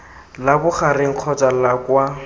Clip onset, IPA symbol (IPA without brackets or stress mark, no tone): l